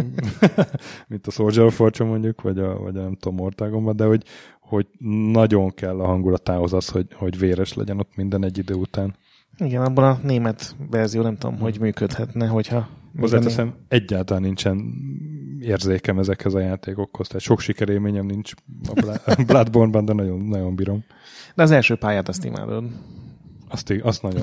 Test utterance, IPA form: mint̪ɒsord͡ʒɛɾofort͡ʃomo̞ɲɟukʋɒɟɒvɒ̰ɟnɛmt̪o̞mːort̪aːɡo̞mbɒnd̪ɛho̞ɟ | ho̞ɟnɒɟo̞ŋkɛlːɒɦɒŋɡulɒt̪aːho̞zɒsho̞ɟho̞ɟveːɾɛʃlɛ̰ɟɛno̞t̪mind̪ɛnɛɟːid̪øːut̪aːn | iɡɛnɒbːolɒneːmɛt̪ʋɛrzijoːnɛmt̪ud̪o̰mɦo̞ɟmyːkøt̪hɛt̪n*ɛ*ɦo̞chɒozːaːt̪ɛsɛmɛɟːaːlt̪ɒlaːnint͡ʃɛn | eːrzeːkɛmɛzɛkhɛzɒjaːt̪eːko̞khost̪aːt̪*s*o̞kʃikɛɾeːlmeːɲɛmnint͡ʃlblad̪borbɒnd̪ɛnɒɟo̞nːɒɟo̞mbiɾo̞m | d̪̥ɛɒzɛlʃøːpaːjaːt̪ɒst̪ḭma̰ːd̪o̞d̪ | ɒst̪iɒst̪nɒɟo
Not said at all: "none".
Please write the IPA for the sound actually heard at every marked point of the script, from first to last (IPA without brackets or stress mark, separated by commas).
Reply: ɛ, ʃ